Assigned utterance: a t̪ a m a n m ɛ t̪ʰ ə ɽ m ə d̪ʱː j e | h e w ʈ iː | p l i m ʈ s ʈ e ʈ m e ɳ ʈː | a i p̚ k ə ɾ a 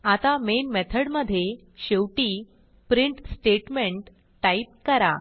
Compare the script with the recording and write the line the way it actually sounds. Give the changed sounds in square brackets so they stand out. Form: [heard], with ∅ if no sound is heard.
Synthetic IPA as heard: a t̪ a m [e] n m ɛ t̪ʰ ə ɽ m ə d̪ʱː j e | [ɕ] e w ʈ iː | p [ɾ] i [ɳ] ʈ s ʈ e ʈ m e ɳ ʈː | a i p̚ k ə ɾ a